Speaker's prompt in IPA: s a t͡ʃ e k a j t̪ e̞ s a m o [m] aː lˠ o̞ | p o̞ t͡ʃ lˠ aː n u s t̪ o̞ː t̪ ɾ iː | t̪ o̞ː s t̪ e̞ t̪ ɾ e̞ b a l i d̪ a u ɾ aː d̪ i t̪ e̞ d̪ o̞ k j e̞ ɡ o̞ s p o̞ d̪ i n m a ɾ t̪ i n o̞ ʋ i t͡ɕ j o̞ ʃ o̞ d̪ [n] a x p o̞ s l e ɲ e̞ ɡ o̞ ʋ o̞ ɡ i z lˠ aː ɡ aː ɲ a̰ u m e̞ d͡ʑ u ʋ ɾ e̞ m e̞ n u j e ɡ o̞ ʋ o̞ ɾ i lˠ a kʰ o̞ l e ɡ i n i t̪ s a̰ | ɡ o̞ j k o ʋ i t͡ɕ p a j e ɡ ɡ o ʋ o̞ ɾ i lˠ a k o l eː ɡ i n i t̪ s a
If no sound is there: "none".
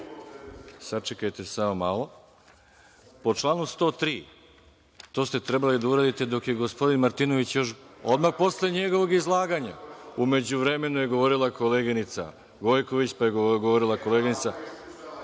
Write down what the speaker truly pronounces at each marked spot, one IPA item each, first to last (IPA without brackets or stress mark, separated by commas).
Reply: m, m